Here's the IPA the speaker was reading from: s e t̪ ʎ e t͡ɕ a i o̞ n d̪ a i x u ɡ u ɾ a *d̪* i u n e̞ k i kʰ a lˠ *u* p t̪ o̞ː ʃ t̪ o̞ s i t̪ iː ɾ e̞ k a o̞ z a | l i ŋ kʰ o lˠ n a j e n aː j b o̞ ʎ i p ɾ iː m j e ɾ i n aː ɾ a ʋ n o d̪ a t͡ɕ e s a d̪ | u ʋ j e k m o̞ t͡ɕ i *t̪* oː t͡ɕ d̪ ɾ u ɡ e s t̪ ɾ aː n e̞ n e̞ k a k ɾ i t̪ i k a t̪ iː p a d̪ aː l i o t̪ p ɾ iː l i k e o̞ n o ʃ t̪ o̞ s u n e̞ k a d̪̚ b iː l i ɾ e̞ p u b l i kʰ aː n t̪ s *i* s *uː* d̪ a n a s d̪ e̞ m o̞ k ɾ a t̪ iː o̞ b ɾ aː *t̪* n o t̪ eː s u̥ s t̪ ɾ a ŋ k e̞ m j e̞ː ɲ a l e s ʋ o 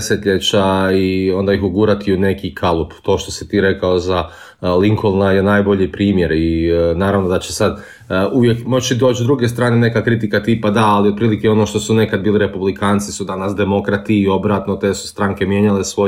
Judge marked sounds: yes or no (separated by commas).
no, yes, no, yes, no, yes